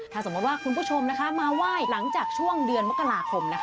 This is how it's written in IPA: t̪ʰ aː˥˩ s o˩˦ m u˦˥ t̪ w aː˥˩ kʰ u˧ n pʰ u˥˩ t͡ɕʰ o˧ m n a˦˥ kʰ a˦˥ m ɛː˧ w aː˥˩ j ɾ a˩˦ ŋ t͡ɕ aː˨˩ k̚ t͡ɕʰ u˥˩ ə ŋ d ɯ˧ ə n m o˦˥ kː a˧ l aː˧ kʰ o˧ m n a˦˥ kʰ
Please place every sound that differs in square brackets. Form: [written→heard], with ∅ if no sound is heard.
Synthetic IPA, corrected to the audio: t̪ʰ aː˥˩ s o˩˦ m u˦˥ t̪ w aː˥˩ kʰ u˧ n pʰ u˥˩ t͡ɕʰ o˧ m n a˦˥ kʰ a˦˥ m [ɛː˧→aː˧] w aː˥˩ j [ɾ→l] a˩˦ ŋ t͡ɕ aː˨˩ k̚ t͡ɕʰ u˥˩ ə ŋ d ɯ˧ ə n m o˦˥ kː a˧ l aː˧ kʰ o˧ m n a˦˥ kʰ